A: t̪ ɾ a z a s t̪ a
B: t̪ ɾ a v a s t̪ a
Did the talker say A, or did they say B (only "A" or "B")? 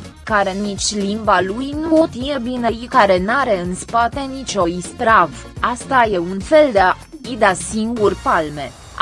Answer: B